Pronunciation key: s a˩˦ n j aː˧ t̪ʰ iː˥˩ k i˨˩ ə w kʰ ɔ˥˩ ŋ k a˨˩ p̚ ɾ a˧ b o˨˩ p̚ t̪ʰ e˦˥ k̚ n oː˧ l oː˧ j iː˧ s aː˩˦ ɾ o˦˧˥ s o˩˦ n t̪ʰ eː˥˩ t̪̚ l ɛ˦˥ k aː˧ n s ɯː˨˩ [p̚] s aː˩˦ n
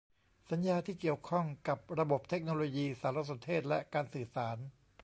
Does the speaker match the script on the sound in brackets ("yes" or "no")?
no